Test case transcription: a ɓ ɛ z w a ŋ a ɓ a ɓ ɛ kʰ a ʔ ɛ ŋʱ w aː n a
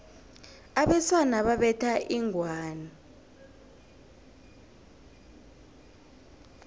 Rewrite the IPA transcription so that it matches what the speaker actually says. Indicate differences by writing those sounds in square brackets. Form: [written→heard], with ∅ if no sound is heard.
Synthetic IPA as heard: a ɓ ɛ [z→s] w a [ŋ→n] a ɓ a ɓ ɛ [kʰ→tʰ] a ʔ [ɛ→i] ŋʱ w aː n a